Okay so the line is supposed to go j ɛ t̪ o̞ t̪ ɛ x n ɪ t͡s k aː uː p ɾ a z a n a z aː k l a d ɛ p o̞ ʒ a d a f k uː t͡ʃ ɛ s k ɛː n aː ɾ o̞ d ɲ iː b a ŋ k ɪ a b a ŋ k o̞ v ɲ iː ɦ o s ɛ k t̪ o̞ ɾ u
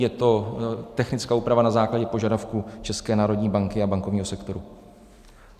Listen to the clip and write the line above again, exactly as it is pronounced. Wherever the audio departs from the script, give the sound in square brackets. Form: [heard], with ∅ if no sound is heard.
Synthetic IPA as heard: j ɛ t̪ o̞ t̪ ɛ x n ɪ t͡s k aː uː p ɾ a [v] a n a z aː k l a [ɟ] ɛ p o̞ ʒ a d a f k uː t͡ʃ ɛ s k ɛː n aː ɾ o̞ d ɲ iː b a ŋ k ɪ a b a ŋ k o̞ v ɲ iː ɦ o s ɛ k t̪ o̞ ɾ u